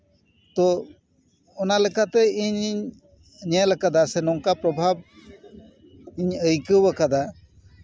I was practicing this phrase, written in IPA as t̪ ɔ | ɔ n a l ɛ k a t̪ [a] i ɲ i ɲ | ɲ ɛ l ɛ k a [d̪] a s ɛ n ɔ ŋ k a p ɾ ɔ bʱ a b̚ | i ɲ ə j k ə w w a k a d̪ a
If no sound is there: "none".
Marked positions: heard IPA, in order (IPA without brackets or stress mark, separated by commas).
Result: ɛ, d̪